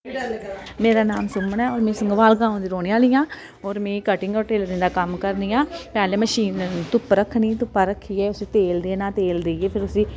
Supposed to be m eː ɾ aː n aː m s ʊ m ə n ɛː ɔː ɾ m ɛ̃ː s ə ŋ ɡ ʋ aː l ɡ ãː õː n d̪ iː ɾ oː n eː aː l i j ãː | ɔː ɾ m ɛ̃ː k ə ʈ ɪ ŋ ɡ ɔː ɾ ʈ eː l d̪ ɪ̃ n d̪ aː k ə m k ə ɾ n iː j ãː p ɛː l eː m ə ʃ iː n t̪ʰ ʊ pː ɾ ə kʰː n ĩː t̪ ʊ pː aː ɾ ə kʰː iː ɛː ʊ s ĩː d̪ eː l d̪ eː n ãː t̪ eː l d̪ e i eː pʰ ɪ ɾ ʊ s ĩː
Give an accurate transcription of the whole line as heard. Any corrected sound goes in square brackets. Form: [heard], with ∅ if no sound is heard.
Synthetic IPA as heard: m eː ɾ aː n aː m s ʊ m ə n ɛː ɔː ɾ m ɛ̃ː s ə ŋ ɡ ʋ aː l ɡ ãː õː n d̪ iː ɾ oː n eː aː l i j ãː | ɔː ɾ m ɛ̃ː k ə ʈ ɪ ŋ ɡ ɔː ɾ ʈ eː l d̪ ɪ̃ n d̪ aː k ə m k ə ɾ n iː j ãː p ɛː l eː m ə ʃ iː n [t̪] ʊ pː ɾ ə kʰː n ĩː t̪ ʊ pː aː ɾ ə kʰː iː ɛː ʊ s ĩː [t̪] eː l d̪ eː n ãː t̪ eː l d̪ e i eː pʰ ɪ ɾ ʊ s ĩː